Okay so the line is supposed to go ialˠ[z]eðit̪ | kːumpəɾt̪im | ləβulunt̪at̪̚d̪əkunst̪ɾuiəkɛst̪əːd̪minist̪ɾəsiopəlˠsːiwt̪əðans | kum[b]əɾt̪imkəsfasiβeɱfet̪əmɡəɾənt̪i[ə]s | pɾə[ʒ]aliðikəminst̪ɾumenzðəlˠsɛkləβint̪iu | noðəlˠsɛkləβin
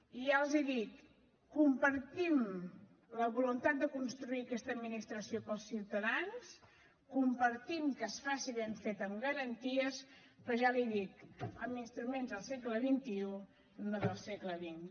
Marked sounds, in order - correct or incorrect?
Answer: correct, incorrect: p, correct, correct

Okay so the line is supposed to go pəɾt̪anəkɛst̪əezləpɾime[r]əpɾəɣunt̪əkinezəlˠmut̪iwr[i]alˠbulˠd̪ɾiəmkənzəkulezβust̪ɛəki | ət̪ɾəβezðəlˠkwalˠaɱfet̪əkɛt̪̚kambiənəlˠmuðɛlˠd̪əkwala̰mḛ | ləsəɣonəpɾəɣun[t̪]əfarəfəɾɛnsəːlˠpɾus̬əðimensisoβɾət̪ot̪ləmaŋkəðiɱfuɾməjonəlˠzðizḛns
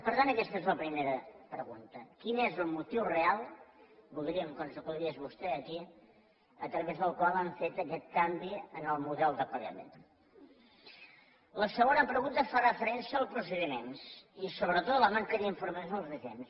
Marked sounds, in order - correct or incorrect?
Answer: incorrect: ɾ, incorrect: e, correct

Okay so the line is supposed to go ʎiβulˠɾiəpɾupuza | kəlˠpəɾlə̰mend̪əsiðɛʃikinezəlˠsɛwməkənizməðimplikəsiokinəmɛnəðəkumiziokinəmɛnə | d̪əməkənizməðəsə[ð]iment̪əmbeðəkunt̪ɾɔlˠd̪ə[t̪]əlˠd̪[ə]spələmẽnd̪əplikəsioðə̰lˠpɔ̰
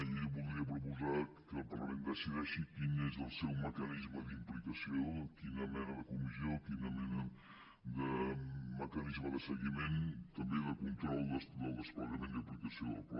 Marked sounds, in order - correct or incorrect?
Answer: incorrect: ɣ, incorrect: d̪, correct

